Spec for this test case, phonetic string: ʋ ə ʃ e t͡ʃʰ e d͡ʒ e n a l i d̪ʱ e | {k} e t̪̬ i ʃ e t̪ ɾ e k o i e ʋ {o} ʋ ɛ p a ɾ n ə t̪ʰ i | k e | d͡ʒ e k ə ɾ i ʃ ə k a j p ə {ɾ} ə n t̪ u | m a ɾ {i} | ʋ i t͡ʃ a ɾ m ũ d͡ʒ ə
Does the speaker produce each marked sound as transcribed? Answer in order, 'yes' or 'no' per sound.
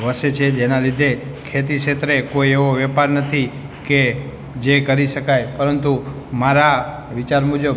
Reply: no, yes, yes, no

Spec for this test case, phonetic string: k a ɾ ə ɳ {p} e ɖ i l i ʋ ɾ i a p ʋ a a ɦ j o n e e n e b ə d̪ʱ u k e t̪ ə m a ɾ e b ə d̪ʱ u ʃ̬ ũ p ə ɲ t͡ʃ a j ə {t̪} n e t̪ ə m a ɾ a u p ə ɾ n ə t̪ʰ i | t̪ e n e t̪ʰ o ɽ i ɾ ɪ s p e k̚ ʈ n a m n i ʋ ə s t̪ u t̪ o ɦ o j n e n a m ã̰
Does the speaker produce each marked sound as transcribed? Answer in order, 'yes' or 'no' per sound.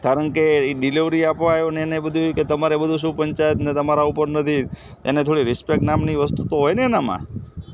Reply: no, yes

